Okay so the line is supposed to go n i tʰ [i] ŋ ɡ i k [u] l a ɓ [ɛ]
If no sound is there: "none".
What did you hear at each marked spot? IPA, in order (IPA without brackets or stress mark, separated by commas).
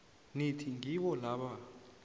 i, ɔ, a